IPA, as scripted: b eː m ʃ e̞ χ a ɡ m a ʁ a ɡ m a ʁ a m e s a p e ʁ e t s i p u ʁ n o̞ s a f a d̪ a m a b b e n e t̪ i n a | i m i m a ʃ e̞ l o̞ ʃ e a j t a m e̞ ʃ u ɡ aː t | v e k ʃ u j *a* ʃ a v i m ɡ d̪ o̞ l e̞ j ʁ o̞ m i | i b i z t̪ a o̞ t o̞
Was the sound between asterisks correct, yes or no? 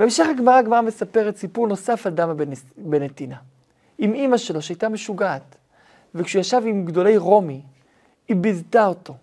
yes